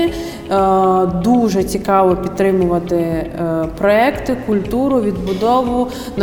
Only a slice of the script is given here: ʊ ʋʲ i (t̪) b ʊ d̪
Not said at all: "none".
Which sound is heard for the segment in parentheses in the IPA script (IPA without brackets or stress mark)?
d̪